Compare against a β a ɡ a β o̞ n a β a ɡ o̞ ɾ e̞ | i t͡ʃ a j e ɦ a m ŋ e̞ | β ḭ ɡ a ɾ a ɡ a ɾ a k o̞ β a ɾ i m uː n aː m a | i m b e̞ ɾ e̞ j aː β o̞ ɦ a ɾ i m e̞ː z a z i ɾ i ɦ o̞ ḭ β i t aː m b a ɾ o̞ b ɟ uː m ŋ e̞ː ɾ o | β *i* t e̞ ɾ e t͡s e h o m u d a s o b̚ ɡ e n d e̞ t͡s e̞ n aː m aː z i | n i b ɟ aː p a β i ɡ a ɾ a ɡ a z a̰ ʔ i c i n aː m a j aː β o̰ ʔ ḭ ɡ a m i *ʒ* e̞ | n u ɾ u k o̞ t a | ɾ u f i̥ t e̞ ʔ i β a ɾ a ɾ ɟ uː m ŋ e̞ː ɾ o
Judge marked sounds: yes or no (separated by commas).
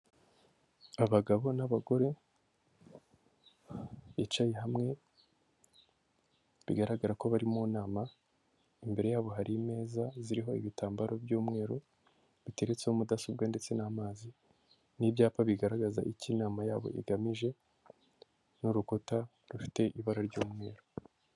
yes, yes